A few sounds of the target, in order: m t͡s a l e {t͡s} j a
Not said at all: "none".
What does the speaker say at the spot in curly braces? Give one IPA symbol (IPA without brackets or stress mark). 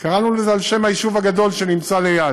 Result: none